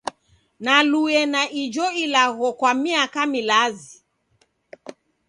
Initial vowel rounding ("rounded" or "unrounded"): unrounded